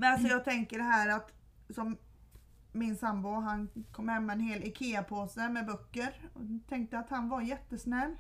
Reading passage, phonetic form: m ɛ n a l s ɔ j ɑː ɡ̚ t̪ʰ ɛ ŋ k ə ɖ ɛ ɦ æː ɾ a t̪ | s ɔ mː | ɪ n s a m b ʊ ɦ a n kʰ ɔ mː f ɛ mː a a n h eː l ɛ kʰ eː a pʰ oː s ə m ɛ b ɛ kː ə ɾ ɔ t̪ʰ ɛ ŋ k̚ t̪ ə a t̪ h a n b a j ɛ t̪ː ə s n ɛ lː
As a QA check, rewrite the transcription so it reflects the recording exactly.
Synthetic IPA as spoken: m ɛ n a l s ɔ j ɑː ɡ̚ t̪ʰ ɛ ŋ k ə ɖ ɛ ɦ æː ɾ a t̪ | s ɔ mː | ɪ n s a m b ʊ ɦ a n kʰ ɔ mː h ɛ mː a ɛ n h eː l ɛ kʰ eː a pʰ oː s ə m ɛ b œ kː ə ɾ ɔ t̪ʰ ɛ ŋ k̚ t̪ ə a t̪ h a n v a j ɛ t̪ː ə s n ɛ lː